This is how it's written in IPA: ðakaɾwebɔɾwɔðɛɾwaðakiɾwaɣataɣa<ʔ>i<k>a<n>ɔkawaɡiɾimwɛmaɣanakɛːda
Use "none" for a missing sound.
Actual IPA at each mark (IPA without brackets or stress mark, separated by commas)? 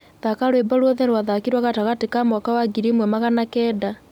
t, k, m